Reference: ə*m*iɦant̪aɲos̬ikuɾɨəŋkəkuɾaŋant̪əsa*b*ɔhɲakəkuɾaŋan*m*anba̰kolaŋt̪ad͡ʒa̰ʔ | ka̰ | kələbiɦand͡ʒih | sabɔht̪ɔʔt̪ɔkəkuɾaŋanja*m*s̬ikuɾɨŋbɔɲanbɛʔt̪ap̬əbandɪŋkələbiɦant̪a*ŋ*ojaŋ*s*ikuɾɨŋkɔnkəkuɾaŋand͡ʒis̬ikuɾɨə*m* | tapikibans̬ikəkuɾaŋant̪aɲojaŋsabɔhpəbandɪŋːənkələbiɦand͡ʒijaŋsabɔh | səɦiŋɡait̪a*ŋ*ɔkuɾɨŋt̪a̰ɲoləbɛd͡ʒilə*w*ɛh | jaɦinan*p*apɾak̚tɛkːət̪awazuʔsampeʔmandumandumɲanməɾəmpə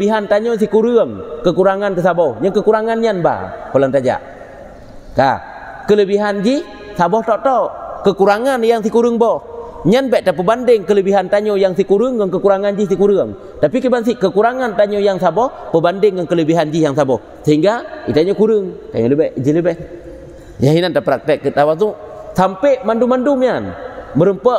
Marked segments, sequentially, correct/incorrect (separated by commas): incorrect, correct, incorrect, incorrect, incorrect, correct, incorrect, incorrect, incorrect, incorrect